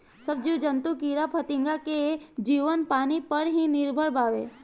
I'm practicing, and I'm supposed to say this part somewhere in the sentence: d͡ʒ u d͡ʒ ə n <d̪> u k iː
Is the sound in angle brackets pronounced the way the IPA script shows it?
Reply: no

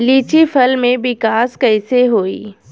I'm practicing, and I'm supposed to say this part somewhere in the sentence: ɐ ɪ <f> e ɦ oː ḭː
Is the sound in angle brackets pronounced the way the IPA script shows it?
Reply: no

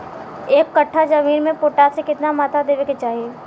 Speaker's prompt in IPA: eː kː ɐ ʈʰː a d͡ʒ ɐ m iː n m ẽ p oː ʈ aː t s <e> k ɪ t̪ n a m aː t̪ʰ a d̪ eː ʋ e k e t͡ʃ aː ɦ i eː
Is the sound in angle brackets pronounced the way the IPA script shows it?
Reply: yes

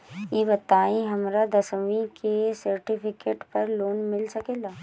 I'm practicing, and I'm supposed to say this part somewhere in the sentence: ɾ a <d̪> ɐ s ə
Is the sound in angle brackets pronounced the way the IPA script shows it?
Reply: yes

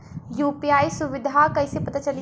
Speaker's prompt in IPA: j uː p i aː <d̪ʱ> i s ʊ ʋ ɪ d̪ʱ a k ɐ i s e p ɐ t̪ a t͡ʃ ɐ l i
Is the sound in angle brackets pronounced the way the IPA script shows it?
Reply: no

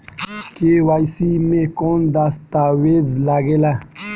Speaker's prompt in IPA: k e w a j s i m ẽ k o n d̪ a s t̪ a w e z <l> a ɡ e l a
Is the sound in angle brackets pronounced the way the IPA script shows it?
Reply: yes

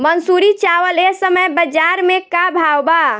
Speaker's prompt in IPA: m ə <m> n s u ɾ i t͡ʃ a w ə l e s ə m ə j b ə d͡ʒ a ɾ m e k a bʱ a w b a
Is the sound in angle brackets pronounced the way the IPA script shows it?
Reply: no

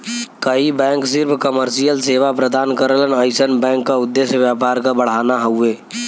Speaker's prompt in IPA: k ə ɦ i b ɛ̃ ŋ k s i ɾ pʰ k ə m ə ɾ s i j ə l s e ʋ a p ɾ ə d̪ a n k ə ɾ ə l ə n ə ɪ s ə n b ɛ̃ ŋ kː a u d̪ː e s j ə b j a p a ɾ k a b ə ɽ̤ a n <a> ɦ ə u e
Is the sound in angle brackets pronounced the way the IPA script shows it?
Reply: yes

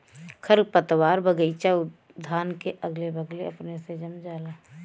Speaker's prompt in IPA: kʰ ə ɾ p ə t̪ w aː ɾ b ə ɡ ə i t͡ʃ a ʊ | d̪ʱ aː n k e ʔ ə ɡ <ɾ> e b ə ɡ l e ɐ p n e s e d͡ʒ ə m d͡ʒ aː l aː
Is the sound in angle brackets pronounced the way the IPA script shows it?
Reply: no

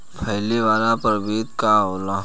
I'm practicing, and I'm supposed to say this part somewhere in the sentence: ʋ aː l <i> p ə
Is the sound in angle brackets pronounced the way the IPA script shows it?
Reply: no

